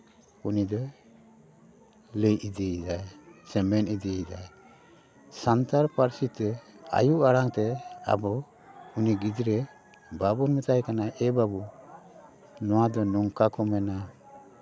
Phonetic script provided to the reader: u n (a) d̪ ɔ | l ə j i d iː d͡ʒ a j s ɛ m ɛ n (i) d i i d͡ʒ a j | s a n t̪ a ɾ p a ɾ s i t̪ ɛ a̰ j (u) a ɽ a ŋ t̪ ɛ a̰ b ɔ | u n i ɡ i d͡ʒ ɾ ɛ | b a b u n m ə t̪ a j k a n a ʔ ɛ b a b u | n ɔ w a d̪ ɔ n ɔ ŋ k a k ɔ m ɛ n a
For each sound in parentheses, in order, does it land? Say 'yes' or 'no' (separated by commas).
no, yes, yes